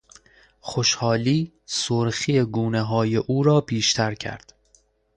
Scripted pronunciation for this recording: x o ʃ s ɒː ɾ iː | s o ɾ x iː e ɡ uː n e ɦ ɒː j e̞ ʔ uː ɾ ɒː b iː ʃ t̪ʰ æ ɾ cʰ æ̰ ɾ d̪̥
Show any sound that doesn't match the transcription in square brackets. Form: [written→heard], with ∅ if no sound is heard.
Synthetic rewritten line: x o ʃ [s→h] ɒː [ɾ→l] iː | s o ɾ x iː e ɡ uː n e ɦ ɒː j e̞ ʔ uː ɾ ɒː b iː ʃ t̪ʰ æ ɾ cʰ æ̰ ɾ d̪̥